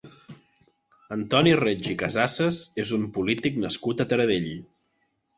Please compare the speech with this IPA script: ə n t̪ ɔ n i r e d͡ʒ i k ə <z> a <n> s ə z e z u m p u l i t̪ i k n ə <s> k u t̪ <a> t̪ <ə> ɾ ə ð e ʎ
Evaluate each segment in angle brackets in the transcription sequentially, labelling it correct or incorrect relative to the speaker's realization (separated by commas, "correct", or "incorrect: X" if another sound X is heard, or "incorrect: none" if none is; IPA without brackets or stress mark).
correct, incorrect: none, correct, incorrect: ə, correct